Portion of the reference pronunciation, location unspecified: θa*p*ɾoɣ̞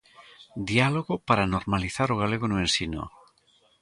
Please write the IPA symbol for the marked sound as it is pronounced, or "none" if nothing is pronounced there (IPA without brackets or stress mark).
none